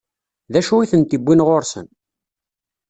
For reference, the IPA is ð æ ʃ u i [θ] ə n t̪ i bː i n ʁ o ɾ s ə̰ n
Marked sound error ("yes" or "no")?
no